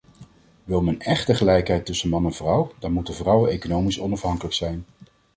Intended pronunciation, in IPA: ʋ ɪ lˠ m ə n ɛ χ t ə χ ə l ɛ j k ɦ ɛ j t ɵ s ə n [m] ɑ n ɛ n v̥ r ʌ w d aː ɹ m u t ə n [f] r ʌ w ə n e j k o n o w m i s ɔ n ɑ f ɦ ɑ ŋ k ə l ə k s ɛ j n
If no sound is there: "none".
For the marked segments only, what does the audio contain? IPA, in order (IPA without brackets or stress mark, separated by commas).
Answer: m, v